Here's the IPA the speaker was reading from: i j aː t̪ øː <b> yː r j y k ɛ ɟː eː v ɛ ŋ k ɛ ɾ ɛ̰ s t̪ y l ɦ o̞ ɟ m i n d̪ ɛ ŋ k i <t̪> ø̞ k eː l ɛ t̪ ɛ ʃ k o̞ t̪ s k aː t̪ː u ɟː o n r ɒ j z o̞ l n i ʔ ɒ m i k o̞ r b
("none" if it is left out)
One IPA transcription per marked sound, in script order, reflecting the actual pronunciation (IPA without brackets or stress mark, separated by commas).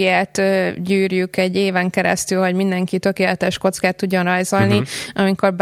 ɟ, t̪